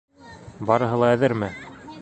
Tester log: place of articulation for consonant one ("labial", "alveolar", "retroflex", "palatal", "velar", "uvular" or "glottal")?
labial